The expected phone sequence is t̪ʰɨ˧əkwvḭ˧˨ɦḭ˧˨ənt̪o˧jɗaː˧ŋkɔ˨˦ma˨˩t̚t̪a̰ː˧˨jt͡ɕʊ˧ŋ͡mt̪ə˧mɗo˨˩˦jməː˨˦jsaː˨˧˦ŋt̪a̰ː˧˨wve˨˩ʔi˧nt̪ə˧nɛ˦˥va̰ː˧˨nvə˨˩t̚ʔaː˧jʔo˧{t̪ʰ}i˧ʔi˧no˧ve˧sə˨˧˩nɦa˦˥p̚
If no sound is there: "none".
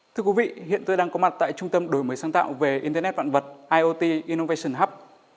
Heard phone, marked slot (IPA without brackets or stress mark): t̪